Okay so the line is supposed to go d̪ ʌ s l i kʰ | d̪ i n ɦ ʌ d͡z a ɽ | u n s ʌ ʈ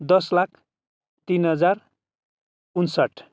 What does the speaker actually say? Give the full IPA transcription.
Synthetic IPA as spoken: d̪ ʌ s l a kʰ | t̪ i n ɦ ʌ d͡z a r | u n s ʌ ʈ